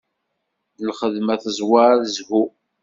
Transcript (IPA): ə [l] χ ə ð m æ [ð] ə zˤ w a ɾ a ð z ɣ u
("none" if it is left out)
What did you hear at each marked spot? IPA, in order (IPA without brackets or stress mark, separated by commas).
l, θ